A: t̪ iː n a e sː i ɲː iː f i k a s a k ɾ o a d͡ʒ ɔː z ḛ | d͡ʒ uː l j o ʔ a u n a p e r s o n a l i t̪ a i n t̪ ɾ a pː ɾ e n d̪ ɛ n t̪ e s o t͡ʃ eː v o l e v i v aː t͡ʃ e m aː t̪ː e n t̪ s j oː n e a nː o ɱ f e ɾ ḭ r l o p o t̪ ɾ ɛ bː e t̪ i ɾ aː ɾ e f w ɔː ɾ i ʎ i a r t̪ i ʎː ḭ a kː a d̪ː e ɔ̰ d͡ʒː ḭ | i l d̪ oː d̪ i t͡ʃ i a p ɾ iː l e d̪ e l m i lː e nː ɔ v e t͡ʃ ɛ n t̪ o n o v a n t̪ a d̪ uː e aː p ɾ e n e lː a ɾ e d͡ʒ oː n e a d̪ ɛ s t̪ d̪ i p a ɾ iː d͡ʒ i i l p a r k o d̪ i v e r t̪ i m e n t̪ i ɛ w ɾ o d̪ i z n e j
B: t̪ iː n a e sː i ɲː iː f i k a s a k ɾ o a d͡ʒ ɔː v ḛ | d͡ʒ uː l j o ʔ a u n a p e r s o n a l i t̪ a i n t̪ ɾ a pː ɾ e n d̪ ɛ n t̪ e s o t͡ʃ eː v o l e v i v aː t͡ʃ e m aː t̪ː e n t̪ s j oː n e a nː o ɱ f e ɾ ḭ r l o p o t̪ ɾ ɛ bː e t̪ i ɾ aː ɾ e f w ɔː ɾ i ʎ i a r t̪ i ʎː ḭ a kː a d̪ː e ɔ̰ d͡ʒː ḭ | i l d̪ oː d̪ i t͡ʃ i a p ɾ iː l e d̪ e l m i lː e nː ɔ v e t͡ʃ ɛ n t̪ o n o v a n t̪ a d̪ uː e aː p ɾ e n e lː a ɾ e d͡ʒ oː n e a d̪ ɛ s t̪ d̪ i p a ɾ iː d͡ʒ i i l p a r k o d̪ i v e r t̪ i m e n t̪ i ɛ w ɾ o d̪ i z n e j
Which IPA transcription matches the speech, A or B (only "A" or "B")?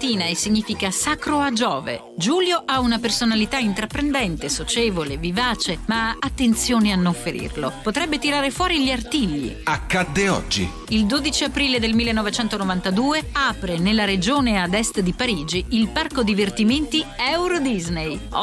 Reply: B